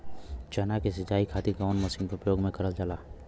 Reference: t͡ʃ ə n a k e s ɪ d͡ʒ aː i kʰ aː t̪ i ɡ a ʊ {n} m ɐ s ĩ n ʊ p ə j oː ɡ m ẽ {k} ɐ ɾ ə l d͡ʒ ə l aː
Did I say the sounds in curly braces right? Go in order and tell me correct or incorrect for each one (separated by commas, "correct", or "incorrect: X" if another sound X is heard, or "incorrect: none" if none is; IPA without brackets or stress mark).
correct, correct